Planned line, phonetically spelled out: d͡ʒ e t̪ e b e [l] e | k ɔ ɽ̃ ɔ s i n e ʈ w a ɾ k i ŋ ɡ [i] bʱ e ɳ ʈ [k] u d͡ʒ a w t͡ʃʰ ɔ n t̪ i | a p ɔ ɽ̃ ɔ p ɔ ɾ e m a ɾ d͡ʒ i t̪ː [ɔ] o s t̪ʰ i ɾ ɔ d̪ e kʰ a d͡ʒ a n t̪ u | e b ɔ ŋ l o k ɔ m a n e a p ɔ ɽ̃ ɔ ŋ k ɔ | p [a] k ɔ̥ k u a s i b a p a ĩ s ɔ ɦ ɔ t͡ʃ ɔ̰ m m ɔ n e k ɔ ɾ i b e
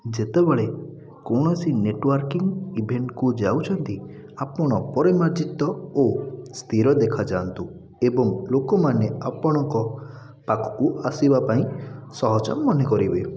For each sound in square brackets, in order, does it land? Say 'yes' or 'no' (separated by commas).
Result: no, yes, yes, yes, yes